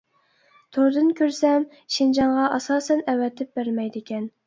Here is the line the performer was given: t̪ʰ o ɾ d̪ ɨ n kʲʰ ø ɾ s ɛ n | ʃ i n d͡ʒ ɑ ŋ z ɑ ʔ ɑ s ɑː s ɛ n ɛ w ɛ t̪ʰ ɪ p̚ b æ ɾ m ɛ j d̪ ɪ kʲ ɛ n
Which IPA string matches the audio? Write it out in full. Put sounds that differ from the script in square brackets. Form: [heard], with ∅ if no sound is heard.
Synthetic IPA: t̪ʰ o ɾ d̪ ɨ n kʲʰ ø ɾ s ɛ [m] | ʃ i n d͡ʒ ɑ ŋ [ʁ] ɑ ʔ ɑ s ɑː s ɛ n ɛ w ɛ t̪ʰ ɪ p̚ b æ ɾ m ɛ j d̪ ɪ kʲ ɛ n